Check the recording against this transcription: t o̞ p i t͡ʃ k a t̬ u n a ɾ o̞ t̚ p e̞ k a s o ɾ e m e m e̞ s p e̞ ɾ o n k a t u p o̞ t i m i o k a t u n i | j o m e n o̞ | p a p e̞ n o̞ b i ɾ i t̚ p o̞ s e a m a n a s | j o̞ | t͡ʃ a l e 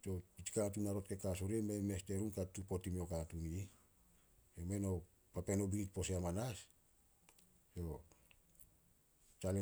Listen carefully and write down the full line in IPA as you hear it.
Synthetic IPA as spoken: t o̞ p i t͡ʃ k a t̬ u n a ɾ o̞ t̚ k e̞ k a s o ɾ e m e m e̞ s t e̞ ɾ u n k a t u p o̞ t i m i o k a t u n i | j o m e n o̞ | p a p e̞ n o̞ b i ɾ i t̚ p o̞ s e a m a n a s | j o̞ | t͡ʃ a l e